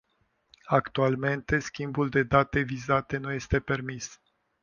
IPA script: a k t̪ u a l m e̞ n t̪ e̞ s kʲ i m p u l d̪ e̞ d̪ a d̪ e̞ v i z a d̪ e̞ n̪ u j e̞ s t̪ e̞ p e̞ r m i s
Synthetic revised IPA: a k t̪ u a l m e̞ n t̪ e̞ s kʲ i m b u l d̪ e̞ d̪ a t̪ e̞ v i z a t̪ e̞ n̪ u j e̞ s t̪ e̞ p e̞ r m i s